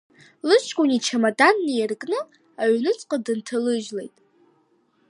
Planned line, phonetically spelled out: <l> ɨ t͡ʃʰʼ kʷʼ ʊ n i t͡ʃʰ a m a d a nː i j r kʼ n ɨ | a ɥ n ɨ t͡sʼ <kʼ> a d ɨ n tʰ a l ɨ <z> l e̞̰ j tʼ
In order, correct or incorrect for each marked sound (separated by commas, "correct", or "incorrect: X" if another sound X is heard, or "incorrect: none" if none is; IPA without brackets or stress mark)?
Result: correct, incorrect: qʼ, incorrect: ʒ